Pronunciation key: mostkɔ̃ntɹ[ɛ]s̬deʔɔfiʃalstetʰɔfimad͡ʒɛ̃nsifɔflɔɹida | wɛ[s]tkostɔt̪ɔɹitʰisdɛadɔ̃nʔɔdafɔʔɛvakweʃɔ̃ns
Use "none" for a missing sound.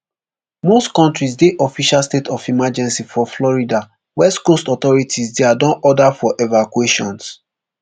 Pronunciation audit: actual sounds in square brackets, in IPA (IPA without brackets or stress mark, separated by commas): i, s